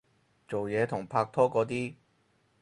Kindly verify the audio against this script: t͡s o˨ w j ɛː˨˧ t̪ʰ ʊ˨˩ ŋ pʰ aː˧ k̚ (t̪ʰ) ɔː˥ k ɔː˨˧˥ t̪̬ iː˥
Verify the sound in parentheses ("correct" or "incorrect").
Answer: correct